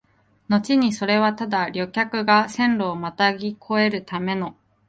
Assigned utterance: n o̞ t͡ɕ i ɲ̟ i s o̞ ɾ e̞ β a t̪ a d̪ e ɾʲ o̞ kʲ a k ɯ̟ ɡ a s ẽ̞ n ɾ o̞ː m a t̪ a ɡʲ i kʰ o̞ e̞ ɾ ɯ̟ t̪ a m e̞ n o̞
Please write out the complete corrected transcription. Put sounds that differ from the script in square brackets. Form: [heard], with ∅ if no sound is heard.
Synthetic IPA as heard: n o̞ t͡ɕ i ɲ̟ i s o̞ ɾ e̞ β a t̪ a d̪ [a] ɾʲ o̞ kʲ a k ɯ̟ ɡ a s ẽ̞ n ɾ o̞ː m a t̪ a ɡʲ i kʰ o̞ e̞ ɾ ɯ̟ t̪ a m e̞ n o̞